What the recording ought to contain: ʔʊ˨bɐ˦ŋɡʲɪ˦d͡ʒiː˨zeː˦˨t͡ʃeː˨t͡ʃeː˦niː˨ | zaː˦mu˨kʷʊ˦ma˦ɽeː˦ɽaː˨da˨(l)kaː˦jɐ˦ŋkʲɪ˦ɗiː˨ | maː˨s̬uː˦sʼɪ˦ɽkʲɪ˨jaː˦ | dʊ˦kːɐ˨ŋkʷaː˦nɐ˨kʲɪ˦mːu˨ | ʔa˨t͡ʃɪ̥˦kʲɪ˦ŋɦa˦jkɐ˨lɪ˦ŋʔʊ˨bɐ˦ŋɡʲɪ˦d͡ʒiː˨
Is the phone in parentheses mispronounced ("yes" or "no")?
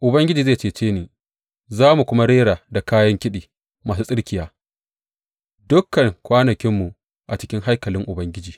yes